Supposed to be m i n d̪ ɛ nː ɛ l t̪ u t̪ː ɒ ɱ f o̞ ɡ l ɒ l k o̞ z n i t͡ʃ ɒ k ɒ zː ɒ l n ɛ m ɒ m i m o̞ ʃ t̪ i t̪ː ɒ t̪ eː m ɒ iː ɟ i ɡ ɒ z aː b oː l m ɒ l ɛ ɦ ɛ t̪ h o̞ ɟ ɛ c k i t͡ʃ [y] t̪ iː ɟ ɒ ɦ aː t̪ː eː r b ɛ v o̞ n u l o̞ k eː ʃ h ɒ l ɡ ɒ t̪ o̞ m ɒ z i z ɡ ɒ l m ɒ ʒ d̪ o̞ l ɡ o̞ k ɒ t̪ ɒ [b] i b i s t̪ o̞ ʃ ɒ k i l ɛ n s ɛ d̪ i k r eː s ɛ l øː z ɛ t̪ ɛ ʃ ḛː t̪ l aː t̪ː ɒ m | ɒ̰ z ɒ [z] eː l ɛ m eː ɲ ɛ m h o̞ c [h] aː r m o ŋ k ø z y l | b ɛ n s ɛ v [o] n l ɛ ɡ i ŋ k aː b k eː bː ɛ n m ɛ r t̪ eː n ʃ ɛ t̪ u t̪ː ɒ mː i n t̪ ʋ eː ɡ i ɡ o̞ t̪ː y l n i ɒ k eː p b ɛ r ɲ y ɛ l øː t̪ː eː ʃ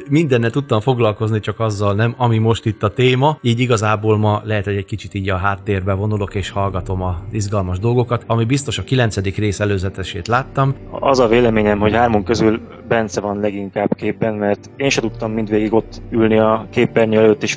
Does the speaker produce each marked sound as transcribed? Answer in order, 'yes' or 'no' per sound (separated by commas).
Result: no, no, no, yes, no